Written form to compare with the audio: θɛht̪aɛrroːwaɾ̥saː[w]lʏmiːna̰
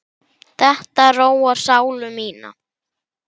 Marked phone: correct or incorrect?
correct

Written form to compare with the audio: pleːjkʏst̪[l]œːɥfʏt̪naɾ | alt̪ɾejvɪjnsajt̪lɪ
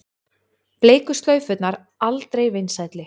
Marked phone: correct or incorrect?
correct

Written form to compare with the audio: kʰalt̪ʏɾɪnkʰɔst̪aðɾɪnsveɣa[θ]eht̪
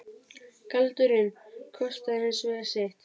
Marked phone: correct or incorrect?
incorrect: s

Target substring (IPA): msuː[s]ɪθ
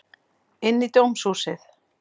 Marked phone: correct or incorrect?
correct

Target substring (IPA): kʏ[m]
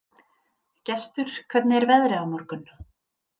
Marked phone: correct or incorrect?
incorrect: n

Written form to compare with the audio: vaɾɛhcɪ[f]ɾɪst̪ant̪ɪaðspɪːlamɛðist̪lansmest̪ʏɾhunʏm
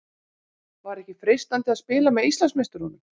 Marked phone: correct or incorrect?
correct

